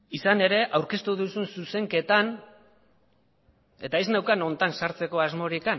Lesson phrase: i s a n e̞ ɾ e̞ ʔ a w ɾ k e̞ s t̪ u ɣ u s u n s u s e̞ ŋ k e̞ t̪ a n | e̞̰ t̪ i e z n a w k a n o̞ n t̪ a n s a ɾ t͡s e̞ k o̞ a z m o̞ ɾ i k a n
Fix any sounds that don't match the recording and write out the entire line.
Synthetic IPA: i s a n e̞ ɾ e̞ ʔ a w ɾ k e̞ s t̪ u ð u s u n s u s e̞ ŋ k e̞ t̪ a n | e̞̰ t̪ a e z n a w k a n o̞ n t̪ a n s a ɾ t͡s e̞ k o̞ a z m o̞ ɾ i k a n